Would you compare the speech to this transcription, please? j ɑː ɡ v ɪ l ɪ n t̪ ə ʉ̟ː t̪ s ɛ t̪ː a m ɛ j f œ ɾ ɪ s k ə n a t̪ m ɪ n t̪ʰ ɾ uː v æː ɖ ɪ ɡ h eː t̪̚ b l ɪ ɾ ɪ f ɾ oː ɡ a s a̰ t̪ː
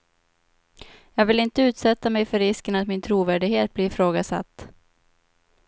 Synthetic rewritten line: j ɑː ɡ v ɪ l ɪ n t̪ ə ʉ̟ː t̪ s ɛ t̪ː a m ɛ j f œ ɾ ɪ s k ə n a t̪ m ɪ n t̪ʰ ɾ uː v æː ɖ ɪ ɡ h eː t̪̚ b l ɪ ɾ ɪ f ɾ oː ɡ a s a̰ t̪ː